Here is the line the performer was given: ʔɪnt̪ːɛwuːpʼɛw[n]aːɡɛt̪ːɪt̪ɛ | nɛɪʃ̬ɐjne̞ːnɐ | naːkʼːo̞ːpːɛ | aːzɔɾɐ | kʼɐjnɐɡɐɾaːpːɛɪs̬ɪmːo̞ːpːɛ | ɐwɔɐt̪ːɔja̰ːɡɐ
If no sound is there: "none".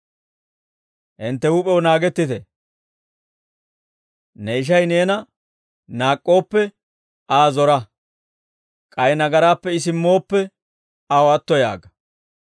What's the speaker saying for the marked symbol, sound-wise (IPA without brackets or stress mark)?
n